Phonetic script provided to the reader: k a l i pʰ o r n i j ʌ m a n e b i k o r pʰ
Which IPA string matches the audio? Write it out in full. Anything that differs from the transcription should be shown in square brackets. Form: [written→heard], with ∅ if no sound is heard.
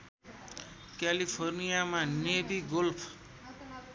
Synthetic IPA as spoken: k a l i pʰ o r n i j [ʌ→a] m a n e b i [k→ɡ] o [r→l] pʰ